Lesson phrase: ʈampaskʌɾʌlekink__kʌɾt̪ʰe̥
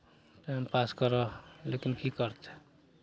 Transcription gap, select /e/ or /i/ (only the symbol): i